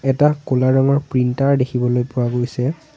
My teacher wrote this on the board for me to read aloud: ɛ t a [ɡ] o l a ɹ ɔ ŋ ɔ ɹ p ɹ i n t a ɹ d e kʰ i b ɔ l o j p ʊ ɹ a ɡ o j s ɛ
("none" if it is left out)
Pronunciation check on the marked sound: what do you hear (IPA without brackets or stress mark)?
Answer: k